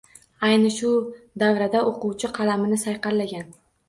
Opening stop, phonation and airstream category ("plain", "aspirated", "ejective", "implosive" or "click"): plain